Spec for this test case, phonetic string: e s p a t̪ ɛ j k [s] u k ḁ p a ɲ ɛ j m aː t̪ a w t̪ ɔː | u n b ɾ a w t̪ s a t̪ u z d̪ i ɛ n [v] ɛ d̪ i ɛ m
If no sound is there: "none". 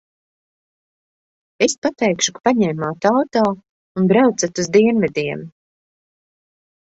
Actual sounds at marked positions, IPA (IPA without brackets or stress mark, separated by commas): ʃ, v